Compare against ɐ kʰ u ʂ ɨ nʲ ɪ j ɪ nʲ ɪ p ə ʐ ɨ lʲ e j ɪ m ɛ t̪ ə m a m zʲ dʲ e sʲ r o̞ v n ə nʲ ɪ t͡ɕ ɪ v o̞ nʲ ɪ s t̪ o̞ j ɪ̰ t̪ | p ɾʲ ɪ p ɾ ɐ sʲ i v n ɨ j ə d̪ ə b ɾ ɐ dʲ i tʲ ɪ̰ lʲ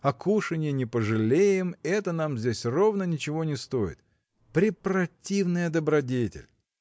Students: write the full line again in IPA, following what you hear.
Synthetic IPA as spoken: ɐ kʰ u ʂ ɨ nʲ ɪ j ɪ nʲ ɪ p ə ʐ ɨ lʲ e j ɪ m ɛ t̪ ə n a m zʲ dʲ e sʲ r o̞ v n ə nʲ ɪ t͡ɕ ɪ v o̞ nʲ ɪ s t̪ o̞ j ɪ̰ t̪ | p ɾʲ ɪ p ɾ ɐ tʲ i v n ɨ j ə d̪ ə b ɾ ɐ dʲ e tʲ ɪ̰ lʲ